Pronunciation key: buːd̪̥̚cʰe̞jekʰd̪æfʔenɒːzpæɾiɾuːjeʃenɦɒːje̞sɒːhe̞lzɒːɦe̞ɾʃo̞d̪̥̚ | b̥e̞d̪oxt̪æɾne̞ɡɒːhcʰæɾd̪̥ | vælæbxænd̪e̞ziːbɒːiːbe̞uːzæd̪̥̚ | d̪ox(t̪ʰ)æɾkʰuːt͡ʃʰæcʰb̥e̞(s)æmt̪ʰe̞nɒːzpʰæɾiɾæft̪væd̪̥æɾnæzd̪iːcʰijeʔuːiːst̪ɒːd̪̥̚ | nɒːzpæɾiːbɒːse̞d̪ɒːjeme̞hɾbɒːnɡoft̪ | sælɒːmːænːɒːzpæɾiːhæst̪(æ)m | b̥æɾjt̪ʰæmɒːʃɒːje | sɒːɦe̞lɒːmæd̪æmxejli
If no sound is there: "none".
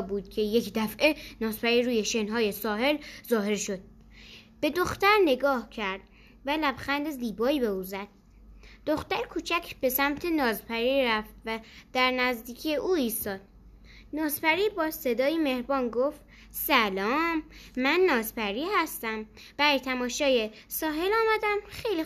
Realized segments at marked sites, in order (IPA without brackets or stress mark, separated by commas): t̪, s, æ